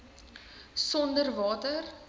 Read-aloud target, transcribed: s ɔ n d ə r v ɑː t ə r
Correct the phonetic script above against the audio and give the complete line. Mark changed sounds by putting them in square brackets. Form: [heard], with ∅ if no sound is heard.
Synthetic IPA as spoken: s ɔ n d ə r v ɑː t ə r